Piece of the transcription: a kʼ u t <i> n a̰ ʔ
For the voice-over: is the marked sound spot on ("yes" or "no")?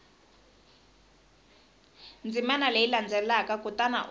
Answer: no